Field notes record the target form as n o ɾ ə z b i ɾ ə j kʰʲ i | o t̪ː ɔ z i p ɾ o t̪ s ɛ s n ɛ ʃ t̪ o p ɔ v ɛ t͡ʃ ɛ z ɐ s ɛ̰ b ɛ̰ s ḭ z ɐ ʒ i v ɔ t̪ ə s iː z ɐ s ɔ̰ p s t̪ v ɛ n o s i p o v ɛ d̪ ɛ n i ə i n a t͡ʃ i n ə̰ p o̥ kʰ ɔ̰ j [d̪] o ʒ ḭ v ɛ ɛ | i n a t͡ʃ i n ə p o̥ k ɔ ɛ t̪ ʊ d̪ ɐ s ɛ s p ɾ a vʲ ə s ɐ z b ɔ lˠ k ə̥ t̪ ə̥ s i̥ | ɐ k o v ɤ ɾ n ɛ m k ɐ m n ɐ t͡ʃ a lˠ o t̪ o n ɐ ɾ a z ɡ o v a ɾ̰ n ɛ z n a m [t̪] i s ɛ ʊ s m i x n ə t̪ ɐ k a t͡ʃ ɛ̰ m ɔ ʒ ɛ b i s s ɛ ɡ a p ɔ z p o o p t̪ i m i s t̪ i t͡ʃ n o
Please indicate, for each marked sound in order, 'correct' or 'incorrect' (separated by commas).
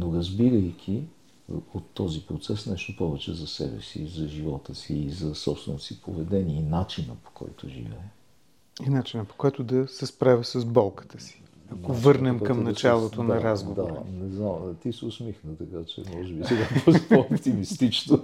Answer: incorrect, correct